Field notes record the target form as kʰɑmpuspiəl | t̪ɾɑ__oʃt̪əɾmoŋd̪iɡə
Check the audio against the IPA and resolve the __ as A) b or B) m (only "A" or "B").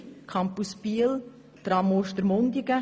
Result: B